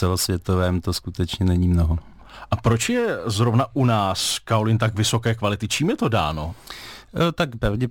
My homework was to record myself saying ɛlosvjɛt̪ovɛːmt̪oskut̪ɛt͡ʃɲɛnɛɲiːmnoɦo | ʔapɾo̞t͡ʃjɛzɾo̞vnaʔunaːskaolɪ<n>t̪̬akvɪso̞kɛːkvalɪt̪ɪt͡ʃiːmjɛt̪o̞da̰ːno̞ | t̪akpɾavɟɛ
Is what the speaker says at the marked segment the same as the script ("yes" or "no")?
yes